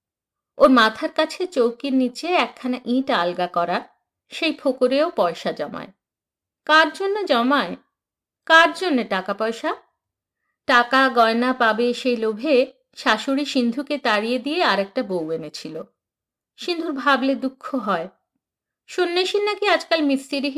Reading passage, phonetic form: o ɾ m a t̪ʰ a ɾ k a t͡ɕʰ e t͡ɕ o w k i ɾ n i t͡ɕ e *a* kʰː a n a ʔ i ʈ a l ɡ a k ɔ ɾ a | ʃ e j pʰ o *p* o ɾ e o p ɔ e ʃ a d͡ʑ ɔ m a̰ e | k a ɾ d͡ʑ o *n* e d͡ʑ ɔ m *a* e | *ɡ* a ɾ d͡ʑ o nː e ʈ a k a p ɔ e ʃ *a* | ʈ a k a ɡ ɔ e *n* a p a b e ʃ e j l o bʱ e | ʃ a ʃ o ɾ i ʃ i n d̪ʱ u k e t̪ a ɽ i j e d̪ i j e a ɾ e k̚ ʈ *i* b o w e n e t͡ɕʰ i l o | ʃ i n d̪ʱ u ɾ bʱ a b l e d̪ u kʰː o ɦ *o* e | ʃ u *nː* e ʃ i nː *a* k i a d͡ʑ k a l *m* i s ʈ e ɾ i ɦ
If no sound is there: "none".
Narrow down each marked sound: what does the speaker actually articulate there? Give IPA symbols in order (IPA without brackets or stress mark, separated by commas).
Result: ɛ, k, nː, a, k, a, n, a, ɔ, nː, a, m